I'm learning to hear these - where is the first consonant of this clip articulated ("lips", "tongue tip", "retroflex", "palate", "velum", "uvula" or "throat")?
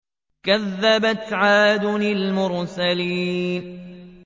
velum